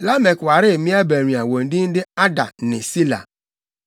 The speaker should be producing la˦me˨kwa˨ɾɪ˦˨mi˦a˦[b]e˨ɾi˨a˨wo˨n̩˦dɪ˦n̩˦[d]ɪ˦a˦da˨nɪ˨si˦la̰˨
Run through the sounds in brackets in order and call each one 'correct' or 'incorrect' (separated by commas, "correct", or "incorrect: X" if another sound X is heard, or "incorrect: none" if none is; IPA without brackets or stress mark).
correct, correct